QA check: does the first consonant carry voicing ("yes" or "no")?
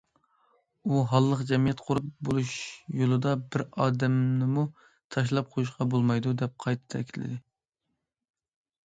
yes